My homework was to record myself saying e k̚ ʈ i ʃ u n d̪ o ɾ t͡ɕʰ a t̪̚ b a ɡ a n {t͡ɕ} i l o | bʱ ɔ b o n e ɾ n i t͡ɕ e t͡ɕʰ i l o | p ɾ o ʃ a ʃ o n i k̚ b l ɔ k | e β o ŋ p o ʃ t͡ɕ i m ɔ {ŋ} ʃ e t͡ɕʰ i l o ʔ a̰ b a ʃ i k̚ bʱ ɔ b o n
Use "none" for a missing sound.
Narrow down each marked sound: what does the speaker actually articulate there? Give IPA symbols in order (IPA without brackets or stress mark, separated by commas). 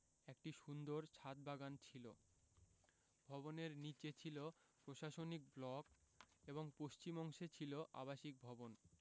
t͡ɕʰ, ŋ